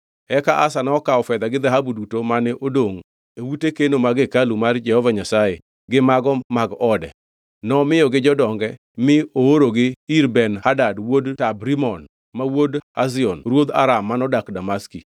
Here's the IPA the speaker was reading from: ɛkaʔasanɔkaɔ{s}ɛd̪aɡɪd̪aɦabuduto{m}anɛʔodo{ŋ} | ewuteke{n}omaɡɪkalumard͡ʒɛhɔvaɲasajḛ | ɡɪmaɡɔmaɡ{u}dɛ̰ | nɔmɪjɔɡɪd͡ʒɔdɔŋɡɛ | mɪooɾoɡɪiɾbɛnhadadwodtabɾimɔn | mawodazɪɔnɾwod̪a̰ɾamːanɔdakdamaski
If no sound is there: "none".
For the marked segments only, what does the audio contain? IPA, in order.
f, m, ŋ, n, ɔ

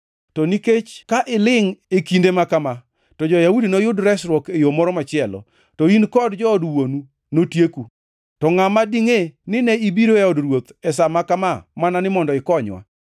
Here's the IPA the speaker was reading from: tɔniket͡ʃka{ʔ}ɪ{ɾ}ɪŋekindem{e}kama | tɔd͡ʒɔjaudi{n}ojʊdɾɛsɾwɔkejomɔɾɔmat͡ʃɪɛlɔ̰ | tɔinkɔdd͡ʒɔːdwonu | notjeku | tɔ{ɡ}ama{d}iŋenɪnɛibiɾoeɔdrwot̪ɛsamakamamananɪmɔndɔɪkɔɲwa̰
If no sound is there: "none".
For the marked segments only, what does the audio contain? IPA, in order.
ʔ, l, a, n, ŋ, d

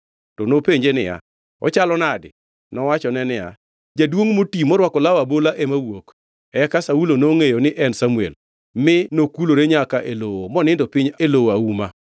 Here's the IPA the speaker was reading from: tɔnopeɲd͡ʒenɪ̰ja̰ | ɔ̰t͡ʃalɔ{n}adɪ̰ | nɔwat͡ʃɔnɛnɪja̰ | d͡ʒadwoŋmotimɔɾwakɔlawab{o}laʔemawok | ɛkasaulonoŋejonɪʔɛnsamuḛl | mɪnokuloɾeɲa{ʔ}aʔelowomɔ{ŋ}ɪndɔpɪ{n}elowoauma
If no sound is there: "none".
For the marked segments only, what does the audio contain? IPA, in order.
n, o, k, n, ɲ

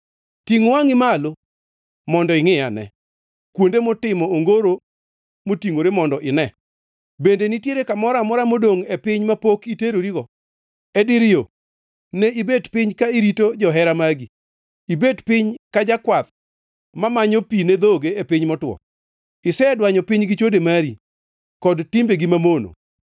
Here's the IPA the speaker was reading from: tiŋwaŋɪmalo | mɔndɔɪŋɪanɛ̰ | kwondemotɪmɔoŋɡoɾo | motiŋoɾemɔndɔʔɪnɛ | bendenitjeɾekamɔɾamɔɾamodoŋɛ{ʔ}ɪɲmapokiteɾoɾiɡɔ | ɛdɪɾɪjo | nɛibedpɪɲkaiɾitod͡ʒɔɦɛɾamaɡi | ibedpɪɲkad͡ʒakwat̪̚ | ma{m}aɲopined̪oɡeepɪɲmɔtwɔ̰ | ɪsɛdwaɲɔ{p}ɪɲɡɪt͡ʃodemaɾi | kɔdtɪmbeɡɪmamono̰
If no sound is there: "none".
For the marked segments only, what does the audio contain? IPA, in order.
p, m, p

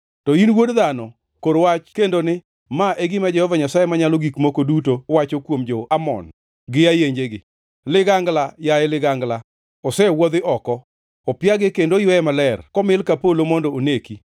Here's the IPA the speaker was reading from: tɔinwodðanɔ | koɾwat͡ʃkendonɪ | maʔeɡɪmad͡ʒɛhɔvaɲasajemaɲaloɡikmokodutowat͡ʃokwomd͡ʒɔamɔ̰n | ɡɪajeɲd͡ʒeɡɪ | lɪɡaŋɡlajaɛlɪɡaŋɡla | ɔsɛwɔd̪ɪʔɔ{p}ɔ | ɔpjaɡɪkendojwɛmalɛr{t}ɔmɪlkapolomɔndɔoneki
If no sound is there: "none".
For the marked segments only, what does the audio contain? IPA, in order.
k, k

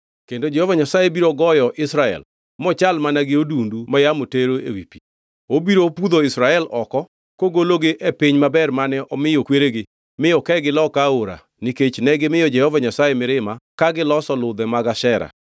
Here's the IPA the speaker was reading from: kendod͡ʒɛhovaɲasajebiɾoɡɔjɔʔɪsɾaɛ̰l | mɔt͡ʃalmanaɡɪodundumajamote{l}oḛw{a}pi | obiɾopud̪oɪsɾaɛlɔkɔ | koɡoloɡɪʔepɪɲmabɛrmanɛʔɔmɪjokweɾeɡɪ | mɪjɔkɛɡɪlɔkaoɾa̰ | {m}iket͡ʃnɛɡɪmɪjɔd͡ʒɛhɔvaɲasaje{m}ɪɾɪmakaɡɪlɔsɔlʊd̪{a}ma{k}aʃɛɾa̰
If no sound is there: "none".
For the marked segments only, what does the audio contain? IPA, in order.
ɾ, i, n, m, ɛ, ɡ

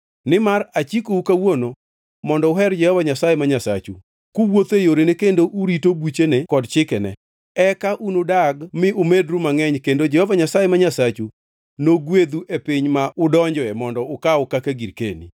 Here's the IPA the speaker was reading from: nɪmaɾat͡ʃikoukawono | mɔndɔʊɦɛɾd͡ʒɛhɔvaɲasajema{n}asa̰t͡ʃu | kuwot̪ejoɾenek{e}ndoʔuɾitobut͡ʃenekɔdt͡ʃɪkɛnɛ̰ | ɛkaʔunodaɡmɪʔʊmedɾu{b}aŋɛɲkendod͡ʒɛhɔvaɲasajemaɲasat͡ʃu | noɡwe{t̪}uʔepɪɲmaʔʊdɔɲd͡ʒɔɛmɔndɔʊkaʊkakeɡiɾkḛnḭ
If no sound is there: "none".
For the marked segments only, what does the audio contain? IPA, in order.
ɲ, e, m, d̪

